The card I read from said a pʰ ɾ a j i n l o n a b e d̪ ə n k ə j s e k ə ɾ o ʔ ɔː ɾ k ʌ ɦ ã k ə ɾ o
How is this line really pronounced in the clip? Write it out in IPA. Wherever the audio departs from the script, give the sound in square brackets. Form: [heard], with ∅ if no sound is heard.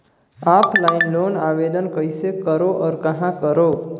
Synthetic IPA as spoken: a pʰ [l] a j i n l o n a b e d̪ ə n k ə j s e k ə ɾ o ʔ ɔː ɾ k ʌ ɦ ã k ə ɾ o